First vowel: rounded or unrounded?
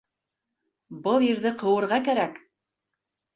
unrounded